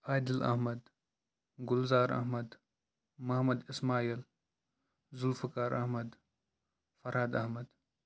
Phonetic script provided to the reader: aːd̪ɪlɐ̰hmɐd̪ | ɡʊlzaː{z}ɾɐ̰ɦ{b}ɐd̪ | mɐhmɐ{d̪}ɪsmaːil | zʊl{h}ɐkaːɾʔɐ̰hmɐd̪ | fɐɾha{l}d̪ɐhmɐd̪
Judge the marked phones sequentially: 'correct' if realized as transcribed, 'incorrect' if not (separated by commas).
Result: incorrect, incorrect, correct, incorrect, incorrect